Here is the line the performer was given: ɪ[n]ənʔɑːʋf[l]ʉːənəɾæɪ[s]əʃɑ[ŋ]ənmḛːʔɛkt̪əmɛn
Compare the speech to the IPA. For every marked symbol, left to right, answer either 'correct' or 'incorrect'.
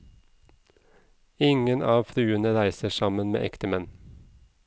incorrect: ŋ, incorrect: ɾ, correct, incorrect: m

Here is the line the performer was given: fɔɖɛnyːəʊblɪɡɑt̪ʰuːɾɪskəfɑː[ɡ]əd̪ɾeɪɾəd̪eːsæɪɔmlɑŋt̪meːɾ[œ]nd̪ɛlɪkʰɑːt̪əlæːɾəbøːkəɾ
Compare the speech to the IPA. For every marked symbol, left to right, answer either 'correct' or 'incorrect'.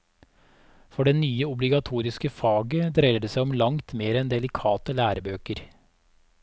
correct, incorrect: ɛ

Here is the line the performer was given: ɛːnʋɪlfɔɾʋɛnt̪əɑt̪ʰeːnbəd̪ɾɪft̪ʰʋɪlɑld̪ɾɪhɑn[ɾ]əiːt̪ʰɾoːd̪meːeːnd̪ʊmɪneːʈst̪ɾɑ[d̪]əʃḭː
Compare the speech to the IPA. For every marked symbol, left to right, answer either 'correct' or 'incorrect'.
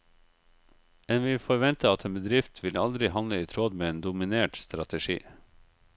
incorrect: l, incorrect: t̪

